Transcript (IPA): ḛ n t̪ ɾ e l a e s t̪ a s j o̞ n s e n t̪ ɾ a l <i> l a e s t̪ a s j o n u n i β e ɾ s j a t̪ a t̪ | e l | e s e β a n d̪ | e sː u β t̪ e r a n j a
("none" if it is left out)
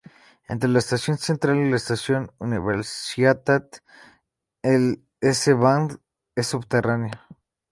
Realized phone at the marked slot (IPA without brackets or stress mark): i